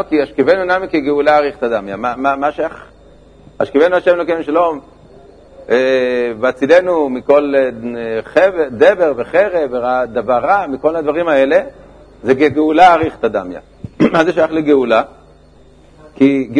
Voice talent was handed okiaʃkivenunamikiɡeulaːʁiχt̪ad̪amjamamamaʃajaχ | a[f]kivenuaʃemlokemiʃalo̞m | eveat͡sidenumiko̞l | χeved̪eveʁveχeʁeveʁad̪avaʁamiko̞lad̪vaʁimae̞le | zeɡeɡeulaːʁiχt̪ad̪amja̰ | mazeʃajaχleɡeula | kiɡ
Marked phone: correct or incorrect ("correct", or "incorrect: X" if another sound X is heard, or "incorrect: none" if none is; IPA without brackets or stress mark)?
incorrect: ʃ